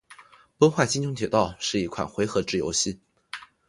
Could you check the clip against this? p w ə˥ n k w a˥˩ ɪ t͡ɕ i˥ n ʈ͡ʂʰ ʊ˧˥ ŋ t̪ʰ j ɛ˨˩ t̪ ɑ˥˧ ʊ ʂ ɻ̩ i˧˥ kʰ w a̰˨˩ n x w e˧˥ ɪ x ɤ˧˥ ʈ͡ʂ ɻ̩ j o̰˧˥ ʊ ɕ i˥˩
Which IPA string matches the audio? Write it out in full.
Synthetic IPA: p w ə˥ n x w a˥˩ ɪ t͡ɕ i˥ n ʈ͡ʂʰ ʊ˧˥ ŋ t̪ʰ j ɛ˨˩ t̪ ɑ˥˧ ʊ ʂ ɻ̩ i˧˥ kʰ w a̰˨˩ n x w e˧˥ ɪ x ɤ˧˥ ʈ͡ʂ ɻ̩ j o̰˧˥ ʊ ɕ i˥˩

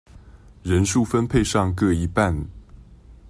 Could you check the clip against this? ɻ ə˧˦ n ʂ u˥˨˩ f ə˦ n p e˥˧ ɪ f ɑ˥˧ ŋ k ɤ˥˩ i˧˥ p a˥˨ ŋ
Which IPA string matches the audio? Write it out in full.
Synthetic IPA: ɻ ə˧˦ n ʂ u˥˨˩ f ə˦ n pʰ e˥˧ ɪ ʂ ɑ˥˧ ŋ k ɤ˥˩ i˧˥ p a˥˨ n

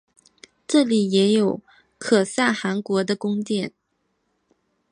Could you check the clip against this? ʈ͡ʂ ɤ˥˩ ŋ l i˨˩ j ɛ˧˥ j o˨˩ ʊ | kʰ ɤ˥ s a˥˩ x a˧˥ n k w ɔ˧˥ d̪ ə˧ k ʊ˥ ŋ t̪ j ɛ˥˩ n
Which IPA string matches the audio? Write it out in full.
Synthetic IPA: ʈ͡ʂ ɤ˥˩ l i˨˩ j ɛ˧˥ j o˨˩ ʊ | kʰ ɤ˨˩ s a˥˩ x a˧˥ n k w ɔ˧˥ d̪ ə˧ k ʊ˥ ŋ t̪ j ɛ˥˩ n

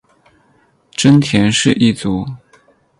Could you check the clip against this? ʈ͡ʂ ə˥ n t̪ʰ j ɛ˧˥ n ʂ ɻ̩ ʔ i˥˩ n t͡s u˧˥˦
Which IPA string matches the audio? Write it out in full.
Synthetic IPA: ʈ͡ʂ ə˥ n t̪ʰ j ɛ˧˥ n ʂ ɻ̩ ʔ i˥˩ t͡s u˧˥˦

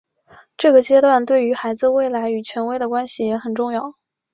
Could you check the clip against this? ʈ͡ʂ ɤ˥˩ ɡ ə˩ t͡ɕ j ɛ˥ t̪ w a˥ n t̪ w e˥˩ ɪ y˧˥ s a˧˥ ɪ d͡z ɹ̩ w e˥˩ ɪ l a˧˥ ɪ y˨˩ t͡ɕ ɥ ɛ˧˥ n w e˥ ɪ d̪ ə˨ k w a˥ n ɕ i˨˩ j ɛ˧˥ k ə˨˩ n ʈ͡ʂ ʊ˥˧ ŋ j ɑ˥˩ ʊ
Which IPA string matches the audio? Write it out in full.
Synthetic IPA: ʈ͡ʂ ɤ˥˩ ɡ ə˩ t͡ɕ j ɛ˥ t̪ w a˥˧ n t̪ w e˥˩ ɪ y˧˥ x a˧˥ ɪ d͡z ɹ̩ w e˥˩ ɪ l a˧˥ ɪ y˨˩ t͡ɕʰ ɥ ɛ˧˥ n w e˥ ɪ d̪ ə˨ k w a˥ n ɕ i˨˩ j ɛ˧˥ x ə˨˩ n ʈ͡ʂ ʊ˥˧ ŋ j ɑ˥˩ ʊ

